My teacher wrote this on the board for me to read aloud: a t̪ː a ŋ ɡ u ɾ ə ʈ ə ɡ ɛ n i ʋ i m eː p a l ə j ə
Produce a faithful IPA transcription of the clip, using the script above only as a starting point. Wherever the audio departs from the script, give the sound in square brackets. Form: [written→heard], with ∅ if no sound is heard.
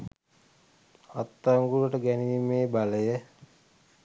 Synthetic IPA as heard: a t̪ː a ŋ ɡ u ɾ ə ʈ ə ɡ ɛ n i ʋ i m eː [p→b] a l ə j ə